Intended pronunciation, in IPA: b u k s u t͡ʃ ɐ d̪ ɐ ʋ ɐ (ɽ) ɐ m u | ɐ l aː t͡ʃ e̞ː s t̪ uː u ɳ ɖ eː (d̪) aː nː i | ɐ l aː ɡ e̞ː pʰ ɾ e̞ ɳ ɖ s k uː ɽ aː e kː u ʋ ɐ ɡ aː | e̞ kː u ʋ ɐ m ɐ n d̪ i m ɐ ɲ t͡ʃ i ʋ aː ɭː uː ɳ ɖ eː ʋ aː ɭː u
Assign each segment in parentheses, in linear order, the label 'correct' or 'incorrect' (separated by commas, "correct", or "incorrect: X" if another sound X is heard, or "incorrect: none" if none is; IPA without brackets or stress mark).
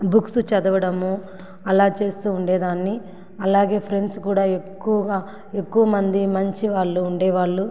correct, correct